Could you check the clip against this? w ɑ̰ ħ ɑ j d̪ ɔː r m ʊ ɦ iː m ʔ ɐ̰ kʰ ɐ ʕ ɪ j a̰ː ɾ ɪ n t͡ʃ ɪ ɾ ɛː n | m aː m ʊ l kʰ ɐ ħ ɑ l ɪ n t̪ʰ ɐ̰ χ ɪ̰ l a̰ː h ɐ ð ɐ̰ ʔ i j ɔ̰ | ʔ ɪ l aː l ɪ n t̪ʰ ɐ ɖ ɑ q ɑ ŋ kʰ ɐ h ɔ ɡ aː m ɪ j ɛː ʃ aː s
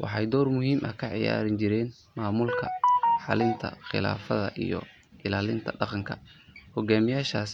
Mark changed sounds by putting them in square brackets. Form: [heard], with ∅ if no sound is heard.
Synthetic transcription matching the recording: w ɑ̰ ħ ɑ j d̪ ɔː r m ʊ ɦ iː m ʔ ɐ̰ kʰ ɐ ʕ ɪ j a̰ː ɾ ɪ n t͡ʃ ɪ ɾ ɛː n | m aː m ʊ l kʰ ɐ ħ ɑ l ɪ n t̪ʰ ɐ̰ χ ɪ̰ l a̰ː [f] ɐ ð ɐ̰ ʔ i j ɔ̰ | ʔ ɪ l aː l ɪ n t̪ʰ ɐ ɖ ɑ q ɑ ŋ kʰ ɐ h ɔ ɡ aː m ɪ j [aː] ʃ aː s